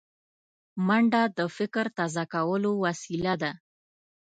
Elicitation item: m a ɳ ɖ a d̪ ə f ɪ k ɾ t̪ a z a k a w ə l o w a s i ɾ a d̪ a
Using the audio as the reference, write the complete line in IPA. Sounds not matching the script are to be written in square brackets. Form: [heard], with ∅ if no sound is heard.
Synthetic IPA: m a ɳ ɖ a d̪ ə f ɪ k ɾ t̪ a z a k a w ə l o w a s i [l] a d̪ a